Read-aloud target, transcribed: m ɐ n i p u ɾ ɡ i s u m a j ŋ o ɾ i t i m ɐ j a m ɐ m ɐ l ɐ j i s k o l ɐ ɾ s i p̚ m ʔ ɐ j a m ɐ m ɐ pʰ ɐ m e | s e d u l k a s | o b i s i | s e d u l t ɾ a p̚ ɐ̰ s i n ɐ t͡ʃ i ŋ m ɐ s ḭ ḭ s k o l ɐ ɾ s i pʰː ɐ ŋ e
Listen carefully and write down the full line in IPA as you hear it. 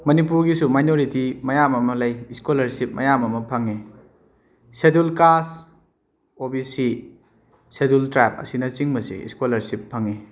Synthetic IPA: m ɐ n i p u ɾ ɡ i s u m a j n o ɾ i t i m ɐ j a m ɐ m ɐ l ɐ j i s k o l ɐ ɾ s i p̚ m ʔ ɐ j a m ɐ m ɐ pʰ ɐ ŋ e | s e d u l k a s | o b i s i | s e d u l t ɾ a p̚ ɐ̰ s i n ɐ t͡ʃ i ŋ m ɐ s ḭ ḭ s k o l ɐ ɾ s i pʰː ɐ ŋ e